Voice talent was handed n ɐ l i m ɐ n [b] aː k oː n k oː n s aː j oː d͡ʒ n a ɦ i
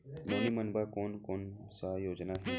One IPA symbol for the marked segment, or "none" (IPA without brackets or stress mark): b